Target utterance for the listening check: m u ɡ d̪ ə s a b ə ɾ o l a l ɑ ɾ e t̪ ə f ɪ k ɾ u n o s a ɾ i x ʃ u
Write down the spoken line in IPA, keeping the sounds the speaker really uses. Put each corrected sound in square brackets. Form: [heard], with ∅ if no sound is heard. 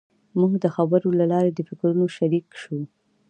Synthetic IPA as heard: m u ɡ d̪ ə [x] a b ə ɾ o l a l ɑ ɾ e [d̪] ə f ɪ k ɾ u n o [ʃ] a ɾ i [k] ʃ u